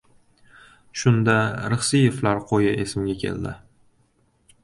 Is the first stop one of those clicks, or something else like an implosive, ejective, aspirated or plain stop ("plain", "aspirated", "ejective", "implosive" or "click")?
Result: plain